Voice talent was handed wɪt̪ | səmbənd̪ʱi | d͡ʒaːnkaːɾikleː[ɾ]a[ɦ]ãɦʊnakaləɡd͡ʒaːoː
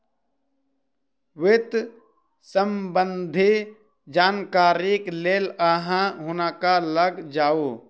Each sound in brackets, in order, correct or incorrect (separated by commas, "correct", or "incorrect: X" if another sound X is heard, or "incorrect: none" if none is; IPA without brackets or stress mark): incorrect: l, correct